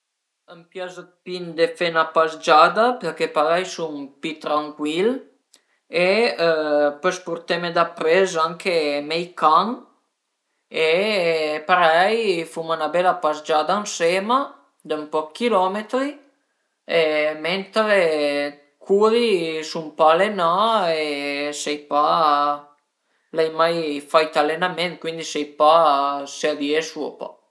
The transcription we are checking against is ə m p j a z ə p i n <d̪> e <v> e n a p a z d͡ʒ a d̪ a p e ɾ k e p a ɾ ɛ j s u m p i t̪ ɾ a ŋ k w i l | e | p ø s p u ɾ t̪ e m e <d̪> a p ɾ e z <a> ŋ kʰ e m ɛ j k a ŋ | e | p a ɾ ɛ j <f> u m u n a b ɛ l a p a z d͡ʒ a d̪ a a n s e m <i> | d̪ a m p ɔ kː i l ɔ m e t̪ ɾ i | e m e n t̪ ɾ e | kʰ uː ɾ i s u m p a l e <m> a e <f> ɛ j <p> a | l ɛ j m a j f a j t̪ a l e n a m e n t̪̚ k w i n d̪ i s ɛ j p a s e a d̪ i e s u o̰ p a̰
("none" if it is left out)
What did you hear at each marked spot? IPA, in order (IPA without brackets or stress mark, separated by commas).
d̪, f, d̪, a, f, a, n, s, p